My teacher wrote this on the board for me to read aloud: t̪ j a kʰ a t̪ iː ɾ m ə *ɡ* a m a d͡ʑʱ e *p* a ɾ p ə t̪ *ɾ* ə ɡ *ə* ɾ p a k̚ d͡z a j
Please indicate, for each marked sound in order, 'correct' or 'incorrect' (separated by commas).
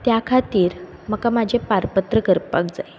incorrect, correct, correct, correct